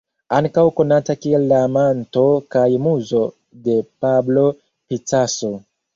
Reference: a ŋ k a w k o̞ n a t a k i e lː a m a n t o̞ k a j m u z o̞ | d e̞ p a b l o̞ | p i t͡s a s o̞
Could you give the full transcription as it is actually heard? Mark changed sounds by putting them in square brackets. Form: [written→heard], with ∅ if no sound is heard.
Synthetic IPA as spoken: a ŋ k a w k o̞ n a t a k i e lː a m a n t o̞ k a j m u z o̞ | d e̞ p a b l o̞ | p i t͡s a s o̞